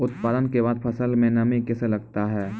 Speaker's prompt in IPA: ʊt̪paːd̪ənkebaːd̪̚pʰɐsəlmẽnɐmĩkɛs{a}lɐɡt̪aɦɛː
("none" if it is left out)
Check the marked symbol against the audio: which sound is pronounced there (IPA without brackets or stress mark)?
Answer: e